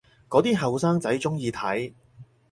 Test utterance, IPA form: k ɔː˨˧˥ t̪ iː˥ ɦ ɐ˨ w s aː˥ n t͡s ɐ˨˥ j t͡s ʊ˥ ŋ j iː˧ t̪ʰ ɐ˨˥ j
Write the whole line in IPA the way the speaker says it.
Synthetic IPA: k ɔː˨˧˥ t̪ iː˥ ɦ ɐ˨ w s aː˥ ŋ t͡s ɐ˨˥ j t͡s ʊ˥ ŋ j iː˧ t̪ʰ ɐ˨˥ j